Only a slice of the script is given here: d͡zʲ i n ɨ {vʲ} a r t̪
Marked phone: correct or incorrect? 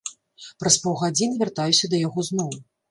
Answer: correct